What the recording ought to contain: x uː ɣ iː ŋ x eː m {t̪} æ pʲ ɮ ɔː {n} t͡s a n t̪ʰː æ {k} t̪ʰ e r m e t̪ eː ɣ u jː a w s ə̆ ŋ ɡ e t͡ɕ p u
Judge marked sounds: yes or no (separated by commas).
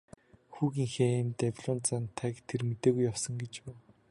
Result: yes, yes, yes